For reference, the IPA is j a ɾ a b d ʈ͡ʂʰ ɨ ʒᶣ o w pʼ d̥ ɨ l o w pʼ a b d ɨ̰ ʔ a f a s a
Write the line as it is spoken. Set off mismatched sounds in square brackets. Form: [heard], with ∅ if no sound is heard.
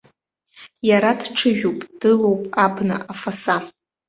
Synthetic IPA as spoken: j a ɾ a [∅] d ʈ͡ʂʰ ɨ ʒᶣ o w pʼ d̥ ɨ l o w pʼ a b [n] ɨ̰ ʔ a f a s a